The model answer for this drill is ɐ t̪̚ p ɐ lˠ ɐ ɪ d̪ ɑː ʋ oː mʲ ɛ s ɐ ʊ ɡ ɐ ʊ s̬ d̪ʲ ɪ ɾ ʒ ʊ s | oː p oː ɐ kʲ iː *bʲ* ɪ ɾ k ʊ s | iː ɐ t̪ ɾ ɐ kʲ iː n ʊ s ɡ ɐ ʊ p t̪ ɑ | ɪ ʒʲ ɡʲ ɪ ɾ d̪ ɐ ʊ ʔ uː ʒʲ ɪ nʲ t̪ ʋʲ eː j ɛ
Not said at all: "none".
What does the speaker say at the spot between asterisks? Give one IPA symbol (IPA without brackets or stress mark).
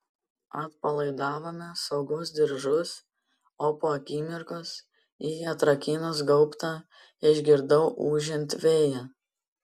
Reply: mʲ